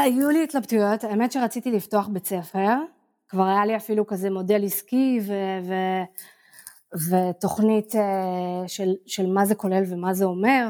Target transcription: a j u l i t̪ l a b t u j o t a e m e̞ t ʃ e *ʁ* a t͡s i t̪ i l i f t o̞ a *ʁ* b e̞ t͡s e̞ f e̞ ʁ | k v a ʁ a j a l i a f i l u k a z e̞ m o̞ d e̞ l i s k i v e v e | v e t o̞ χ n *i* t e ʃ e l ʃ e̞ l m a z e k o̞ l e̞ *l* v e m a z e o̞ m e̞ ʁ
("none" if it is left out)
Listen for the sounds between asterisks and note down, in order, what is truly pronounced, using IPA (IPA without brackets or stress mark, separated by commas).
ʁ, χ, i, l